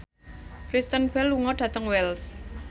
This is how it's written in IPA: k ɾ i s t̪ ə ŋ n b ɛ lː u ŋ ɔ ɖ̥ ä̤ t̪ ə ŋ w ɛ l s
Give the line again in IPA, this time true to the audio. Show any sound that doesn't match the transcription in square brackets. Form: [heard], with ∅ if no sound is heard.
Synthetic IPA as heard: k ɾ i s t̪ ə [∅] n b ɛ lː u ŋ ɔ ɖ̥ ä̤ t̪ ə ŋ w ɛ l s